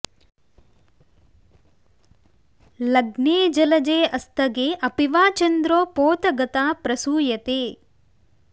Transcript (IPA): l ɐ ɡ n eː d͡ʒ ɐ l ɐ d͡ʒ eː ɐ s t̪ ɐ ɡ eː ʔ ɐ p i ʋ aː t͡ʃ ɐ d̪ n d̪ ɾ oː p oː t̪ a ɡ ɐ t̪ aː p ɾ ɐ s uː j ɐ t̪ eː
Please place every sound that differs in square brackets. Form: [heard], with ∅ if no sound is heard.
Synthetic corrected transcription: l ɐ ɡ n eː d͡ʒ ɐ l ɐ d͡ʒ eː ɐ s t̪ ɐ ɡ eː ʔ ɐ p i ʋ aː t͡ʃ ɐ [∅] n d̪ ɾ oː p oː t̪ [ɐ] ɡ ɐ t̪ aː p ɾ ɐ s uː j ɐ t̪ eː